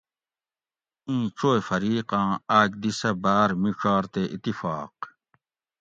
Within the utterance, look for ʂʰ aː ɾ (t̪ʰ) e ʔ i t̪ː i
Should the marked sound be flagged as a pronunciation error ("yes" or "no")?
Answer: yes